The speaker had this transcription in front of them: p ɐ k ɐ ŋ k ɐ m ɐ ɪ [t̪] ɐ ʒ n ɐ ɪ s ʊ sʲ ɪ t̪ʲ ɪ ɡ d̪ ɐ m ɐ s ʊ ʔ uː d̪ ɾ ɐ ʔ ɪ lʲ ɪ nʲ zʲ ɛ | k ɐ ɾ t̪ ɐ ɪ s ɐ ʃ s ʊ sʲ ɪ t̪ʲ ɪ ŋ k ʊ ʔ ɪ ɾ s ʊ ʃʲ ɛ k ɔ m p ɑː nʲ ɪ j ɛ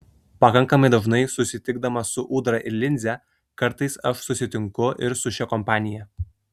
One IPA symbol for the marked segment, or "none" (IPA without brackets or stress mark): d̪